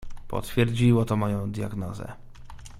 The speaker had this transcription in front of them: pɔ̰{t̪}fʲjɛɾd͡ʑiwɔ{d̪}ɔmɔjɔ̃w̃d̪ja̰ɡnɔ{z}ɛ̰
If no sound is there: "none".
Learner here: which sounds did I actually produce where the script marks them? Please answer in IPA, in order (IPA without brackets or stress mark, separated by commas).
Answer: t̪, t̪, z